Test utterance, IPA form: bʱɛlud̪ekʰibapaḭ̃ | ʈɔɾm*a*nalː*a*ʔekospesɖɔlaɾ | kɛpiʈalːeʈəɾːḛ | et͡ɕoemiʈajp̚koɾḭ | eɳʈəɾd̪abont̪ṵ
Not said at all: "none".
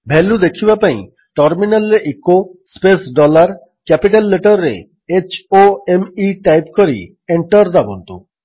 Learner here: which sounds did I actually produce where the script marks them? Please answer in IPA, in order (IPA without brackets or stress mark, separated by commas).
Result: i, e